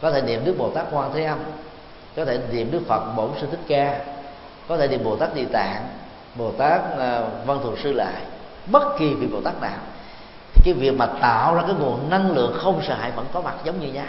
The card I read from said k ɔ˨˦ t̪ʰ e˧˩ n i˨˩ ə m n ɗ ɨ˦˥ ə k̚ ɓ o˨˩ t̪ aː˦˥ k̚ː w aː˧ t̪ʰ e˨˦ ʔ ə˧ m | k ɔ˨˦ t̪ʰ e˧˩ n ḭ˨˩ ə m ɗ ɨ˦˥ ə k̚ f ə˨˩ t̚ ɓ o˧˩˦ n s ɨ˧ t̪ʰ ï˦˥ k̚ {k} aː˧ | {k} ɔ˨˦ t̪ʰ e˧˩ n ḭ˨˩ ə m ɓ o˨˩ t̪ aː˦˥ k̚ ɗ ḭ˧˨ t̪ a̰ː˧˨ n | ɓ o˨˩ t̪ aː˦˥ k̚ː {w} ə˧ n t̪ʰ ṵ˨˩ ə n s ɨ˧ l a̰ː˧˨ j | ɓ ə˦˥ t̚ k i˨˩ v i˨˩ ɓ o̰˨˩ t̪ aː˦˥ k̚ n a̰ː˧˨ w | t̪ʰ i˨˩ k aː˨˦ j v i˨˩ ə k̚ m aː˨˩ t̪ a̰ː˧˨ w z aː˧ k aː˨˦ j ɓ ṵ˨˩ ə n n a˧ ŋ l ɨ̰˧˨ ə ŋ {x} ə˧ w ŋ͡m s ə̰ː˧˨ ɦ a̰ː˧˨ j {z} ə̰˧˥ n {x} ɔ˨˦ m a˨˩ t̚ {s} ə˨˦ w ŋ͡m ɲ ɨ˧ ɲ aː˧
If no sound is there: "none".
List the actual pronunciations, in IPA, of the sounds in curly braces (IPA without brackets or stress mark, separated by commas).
k, k, v, x, v, k, z